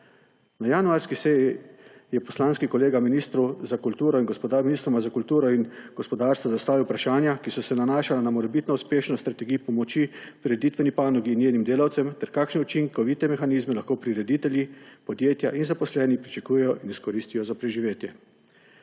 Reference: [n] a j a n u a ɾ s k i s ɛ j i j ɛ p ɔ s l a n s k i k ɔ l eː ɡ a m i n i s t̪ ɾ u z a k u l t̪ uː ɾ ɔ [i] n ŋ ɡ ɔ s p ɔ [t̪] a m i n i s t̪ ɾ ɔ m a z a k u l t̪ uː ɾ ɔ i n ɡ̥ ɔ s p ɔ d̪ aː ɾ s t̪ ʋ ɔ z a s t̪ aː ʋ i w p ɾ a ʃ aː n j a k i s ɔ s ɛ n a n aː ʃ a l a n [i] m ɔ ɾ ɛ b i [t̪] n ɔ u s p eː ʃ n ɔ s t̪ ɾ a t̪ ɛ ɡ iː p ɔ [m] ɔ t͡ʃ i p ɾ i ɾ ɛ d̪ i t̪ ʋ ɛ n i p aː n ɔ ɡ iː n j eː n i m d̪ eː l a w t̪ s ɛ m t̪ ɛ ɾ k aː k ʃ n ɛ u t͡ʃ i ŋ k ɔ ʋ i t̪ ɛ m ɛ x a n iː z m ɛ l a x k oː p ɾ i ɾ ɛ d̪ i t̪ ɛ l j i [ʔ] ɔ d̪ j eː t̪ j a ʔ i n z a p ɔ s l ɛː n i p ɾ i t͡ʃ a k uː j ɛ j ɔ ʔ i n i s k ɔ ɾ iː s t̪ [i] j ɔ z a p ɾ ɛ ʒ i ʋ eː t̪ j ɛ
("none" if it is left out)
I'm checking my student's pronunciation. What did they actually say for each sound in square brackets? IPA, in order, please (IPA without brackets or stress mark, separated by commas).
n, i, d̪, a, t̪, m, p, i